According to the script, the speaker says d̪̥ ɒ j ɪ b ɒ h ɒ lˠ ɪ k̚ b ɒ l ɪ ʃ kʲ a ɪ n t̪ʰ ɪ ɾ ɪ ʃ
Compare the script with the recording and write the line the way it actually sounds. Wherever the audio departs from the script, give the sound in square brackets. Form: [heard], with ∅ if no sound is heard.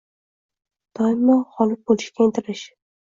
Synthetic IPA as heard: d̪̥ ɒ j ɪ [m] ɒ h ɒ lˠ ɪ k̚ b [o] l ɪ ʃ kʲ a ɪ n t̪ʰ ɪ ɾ ɪ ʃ